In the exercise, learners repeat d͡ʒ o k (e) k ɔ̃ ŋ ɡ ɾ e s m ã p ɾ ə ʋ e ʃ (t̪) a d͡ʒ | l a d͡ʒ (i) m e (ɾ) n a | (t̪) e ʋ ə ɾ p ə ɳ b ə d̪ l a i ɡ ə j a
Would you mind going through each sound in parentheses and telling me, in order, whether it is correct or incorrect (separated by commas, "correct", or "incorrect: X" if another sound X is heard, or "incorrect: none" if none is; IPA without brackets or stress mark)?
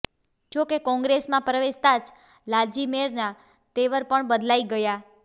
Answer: correct, correct, correct, correct, correct